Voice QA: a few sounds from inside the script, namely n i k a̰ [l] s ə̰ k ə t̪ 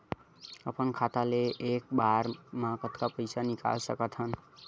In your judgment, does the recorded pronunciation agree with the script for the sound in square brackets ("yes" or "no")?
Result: yes